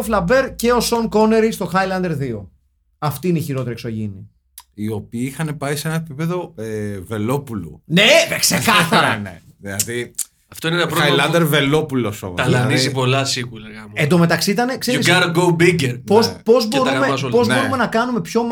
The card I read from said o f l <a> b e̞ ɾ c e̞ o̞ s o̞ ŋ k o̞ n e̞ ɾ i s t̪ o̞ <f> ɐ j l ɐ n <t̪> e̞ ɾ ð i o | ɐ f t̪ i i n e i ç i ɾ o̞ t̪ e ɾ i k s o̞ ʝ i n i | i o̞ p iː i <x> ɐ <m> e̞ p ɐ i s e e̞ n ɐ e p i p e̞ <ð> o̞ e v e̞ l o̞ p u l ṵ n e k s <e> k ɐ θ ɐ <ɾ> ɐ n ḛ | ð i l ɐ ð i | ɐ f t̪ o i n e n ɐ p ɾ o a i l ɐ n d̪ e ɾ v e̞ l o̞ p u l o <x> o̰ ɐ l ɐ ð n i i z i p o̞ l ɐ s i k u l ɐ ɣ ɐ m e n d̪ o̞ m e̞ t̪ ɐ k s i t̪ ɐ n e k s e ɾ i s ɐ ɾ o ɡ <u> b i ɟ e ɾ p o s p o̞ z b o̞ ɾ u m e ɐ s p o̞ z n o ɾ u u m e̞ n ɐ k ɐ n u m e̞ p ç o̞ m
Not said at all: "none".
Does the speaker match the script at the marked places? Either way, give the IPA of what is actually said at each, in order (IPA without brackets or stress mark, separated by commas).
ɐ, x, d̪, x, n, ð, e, ɾ, s, o